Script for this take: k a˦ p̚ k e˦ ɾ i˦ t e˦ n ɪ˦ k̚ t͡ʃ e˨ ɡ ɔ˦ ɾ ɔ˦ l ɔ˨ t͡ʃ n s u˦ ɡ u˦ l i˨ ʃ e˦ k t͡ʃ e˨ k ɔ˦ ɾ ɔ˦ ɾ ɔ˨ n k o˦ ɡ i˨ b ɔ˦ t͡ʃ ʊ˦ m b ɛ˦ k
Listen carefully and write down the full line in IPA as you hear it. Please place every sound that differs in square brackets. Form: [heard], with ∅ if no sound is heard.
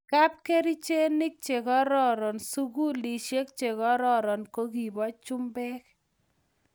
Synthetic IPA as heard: k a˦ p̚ k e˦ ɾ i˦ [t͡ʃ] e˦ n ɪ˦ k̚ t͡ʃ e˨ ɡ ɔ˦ ɾ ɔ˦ [ɾ] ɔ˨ [∅] n s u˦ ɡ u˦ l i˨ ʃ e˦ k t͡ʃ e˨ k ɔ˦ ɾ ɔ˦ ɾ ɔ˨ n k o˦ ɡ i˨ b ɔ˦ t͡ʃ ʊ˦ m b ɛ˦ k

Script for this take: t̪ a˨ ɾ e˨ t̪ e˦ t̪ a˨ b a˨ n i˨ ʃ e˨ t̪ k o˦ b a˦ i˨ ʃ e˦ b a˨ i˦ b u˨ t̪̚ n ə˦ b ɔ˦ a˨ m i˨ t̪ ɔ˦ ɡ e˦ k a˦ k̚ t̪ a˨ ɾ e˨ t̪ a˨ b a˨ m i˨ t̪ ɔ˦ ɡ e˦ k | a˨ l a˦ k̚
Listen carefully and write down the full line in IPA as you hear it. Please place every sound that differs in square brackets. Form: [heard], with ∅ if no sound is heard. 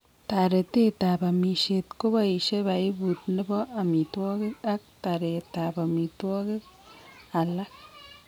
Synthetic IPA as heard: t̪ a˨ ɾ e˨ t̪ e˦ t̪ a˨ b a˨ [m] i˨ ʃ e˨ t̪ k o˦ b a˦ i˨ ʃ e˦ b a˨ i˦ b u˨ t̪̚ n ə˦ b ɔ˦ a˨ m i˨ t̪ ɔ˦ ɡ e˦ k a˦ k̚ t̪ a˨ ɾ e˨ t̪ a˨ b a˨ m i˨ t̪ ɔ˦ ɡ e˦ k | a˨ l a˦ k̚

